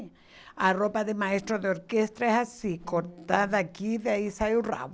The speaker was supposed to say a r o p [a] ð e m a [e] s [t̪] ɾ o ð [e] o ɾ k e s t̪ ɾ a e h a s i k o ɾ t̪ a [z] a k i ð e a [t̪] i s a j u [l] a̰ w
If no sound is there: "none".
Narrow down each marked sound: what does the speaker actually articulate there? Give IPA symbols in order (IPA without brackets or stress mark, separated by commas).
a, e, t̪, e, ð, none, r